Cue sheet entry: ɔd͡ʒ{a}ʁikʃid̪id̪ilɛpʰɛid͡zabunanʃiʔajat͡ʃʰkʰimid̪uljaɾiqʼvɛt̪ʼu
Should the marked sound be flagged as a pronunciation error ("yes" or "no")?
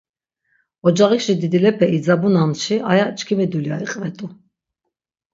no